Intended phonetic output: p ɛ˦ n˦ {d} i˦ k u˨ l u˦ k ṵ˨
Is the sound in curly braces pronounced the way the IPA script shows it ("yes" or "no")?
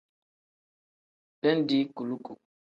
yes